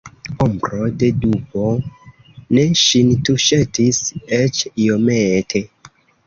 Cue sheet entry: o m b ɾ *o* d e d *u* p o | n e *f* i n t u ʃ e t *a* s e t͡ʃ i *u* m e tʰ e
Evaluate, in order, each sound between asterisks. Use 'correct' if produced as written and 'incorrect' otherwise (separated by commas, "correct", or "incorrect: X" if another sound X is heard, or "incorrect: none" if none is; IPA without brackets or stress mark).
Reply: correct, correct, incorrect: ʃ, incorrect: i, incorrect: o